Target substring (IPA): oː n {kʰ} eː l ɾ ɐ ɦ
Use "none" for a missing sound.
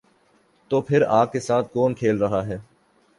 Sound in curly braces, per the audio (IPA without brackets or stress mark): kʰ